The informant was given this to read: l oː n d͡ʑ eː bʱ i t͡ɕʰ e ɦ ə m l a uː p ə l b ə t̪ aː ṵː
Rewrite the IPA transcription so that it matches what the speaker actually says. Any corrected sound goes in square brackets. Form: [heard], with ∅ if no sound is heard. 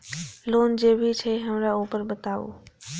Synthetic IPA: l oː n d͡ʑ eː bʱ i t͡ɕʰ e ɦ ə m [ɾ] a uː p ə [ɾ] b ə t̪ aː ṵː